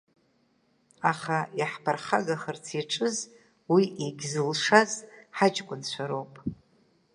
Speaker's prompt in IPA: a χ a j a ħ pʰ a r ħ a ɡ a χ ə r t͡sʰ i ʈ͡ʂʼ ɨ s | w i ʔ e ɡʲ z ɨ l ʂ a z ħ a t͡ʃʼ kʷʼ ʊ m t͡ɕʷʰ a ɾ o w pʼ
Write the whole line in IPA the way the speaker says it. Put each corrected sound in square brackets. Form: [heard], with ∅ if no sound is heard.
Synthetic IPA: a χ a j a ħ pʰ a r [χ] a ɡ a χ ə r t͡sʰ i ʈ͡ʂʼ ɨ [z] | w i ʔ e ɡʲ z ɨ l ʂ a z ħ a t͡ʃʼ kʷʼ ʊ [n] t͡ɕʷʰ a ɾ o w pʼ